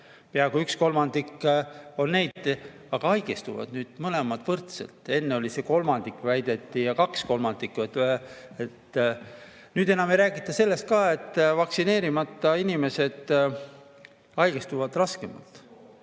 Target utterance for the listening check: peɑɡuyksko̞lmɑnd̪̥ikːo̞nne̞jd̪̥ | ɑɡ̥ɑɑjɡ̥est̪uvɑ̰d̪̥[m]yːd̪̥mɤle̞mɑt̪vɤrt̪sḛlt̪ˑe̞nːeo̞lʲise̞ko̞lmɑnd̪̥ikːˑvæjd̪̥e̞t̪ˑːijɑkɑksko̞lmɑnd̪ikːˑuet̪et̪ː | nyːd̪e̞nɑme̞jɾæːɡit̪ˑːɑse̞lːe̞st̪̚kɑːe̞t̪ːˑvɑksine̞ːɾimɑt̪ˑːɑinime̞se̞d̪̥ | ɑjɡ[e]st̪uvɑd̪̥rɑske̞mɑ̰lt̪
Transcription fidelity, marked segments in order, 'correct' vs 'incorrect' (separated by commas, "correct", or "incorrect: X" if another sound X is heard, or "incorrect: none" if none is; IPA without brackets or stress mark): incorrect: n, correct